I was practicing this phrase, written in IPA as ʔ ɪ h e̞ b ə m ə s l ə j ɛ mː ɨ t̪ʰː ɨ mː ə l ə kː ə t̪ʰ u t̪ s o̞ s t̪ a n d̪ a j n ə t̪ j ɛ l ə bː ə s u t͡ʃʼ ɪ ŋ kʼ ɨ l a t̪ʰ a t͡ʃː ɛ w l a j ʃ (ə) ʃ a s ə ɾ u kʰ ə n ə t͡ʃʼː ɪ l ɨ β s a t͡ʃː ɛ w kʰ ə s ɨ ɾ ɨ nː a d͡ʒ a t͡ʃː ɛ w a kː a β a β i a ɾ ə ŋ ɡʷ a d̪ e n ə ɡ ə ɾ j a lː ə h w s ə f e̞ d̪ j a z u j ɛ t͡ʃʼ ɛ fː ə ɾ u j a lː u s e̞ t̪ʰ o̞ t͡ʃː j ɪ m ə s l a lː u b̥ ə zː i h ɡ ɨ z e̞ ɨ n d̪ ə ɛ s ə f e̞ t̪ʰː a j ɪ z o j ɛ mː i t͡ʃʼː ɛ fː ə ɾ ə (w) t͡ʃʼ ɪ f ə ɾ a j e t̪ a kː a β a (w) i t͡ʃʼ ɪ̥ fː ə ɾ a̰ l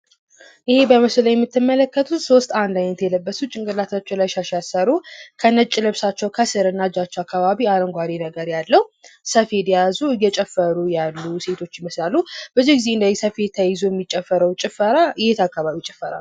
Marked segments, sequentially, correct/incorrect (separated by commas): incorrect, correct, incorrect